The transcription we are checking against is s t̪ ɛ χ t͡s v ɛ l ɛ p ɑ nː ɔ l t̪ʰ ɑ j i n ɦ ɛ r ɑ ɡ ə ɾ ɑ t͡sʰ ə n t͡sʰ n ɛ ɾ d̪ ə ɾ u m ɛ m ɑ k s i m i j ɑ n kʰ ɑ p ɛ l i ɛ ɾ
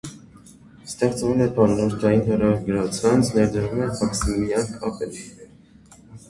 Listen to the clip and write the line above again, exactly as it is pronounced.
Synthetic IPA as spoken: s t̪ ɛ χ t͡s v ɛ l ɛ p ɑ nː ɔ ɾ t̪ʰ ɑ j i n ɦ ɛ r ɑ ɡ ə ɾ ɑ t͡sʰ ɑ n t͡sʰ n ɛ ɾ d̪ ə ɾ u m ɛ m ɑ k s i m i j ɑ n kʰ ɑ p ɛ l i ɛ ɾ